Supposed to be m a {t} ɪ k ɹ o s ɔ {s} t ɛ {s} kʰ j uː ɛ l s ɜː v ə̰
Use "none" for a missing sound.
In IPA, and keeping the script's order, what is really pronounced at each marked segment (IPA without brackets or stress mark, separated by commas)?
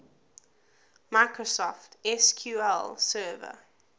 none, f, s